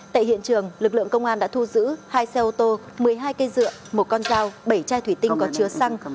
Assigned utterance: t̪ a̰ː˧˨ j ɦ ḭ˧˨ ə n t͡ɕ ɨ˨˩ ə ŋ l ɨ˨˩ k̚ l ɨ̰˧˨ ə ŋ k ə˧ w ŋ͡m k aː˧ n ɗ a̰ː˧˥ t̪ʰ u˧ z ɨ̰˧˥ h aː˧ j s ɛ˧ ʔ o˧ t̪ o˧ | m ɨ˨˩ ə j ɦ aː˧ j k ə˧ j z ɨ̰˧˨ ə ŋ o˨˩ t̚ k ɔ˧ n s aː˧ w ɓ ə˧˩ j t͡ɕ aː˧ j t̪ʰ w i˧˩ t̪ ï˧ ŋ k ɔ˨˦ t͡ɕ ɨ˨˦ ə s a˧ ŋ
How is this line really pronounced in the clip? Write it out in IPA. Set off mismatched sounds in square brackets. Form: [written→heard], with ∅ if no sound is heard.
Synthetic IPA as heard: t̪ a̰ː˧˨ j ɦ ḭ˧˨ ə n t͡ɕ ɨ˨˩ ə ŋ l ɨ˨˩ k̚ l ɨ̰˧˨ ə ŋ k ə˧ w ŋ͡m [k→ʔ] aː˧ n ɗ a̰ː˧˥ t̪ʰ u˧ z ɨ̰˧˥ h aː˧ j s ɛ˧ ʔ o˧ t̪ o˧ | m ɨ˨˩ ə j ɦ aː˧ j k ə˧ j z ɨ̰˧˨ ə [ŋ→m] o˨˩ t̚ k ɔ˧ n [s→z] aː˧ w ɓ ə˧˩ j t͡ɕ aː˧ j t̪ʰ w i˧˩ t̪ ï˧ ŋ k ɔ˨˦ t͡ɕ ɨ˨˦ ə s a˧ ŋ